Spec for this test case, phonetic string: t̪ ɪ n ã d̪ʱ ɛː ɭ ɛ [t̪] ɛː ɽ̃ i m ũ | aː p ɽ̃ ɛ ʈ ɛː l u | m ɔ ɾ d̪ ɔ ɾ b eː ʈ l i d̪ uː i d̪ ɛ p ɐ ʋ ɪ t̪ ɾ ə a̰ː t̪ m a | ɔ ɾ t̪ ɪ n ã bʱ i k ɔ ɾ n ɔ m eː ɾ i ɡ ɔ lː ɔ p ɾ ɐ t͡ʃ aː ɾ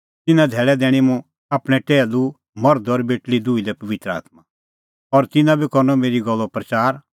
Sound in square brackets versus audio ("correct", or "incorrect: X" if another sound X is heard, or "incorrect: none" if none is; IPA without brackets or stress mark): incorrect: d̪